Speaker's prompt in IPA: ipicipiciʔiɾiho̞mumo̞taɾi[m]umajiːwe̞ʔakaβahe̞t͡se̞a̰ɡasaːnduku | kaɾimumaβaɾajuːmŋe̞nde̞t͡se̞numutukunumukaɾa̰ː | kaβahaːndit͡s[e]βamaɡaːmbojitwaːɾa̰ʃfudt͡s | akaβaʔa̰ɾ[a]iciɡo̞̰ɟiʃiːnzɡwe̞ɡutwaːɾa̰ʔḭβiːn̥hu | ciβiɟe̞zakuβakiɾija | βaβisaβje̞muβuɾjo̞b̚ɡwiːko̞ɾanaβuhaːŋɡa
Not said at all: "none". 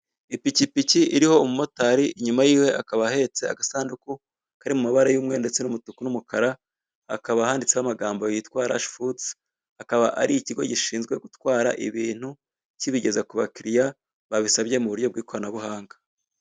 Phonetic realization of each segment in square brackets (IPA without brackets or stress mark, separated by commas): ɲ, e, i